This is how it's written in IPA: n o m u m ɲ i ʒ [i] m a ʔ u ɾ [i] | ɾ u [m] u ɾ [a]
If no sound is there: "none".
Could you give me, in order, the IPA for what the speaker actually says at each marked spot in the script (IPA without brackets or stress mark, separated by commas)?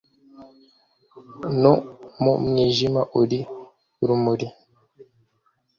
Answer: i, i, m, i